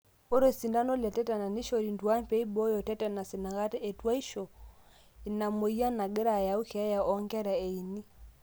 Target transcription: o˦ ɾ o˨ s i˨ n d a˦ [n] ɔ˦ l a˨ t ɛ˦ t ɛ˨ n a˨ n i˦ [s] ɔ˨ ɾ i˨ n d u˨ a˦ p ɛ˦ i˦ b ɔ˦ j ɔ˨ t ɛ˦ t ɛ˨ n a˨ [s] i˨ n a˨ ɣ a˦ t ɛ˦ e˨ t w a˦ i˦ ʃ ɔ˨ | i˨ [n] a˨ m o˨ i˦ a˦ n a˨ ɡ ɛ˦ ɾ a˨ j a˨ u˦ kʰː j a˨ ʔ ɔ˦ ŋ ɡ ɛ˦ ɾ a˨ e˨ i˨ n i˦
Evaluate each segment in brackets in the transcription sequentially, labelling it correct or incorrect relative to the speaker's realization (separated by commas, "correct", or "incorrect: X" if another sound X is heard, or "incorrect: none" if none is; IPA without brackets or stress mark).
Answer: correct, incorrect: ʃ, correct, correct